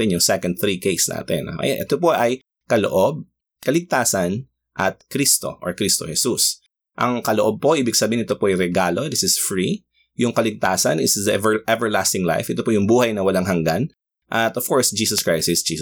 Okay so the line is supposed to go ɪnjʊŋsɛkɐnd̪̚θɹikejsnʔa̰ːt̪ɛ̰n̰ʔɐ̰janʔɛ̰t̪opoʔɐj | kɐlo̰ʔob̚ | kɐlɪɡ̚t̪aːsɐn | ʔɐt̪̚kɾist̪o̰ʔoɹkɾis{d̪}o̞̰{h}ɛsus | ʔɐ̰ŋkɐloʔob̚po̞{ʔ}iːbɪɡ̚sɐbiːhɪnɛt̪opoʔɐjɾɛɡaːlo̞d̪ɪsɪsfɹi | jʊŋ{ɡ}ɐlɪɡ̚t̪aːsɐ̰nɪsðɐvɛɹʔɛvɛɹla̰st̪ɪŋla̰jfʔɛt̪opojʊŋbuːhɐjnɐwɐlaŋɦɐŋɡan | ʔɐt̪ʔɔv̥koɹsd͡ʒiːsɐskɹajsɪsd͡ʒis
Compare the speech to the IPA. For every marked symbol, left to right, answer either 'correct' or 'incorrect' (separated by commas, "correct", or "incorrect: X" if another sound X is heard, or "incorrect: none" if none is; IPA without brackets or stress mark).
incorrect: t̪, correct, correct, incorrect: k